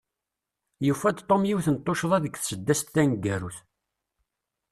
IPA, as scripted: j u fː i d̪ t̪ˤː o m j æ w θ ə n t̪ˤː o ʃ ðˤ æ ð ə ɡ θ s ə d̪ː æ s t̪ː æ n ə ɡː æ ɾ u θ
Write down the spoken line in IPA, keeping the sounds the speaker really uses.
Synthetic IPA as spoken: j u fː æ d̪ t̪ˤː o m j i w θ ə n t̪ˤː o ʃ ðˤ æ ð ə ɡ θ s ə d̪ː æ s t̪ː æ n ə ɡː æ ɾ u θ